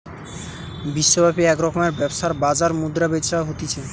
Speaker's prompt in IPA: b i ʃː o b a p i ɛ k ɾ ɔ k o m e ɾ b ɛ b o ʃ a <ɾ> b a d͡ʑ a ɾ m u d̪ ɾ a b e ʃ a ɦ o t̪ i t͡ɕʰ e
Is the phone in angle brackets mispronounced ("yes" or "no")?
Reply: no